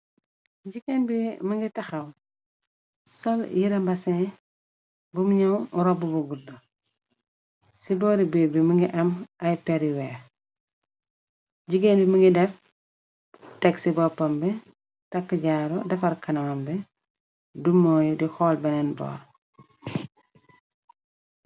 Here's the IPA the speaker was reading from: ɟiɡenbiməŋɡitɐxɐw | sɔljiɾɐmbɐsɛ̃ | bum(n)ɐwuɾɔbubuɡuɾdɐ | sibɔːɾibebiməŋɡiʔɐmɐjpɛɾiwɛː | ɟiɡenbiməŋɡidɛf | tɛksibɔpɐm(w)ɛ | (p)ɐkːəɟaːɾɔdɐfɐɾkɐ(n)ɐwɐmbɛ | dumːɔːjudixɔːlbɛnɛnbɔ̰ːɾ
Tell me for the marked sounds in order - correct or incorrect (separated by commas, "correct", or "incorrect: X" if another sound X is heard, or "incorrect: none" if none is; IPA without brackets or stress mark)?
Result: incorrect: ɲ, incorrect: b, incorrect: t, correct